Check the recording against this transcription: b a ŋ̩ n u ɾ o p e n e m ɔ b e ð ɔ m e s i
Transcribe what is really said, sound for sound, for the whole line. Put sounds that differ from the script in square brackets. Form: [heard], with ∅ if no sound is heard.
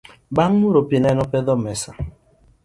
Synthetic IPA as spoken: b a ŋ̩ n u ɾ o p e n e [n] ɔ [p] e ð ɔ m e s [a]